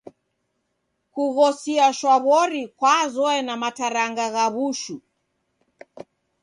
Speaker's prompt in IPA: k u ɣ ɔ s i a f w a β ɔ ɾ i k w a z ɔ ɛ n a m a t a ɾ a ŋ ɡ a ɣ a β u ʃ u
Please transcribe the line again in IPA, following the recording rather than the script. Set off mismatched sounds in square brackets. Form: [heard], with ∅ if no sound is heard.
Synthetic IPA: k u ɣ ɔ s i a [ʃ] w a β ɔ ɾ i k w a z ɔ ɛ n a m a t a ɾ a ŋ ɡ a ɣ a β u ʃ u